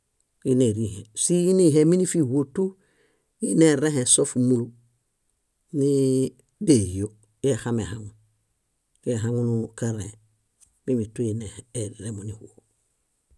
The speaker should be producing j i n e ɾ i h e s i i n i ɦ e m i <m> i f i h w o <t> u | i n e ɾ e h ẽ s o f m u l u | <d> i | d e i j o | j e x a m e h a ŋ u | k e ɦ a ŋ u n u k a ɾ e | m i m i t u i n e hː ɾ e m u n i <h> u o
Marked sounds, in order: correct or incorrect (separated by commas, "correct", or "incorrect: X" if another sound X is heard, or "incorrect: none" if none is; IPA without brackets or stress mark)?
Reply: incorrect: n, correct, incorrect: n, correct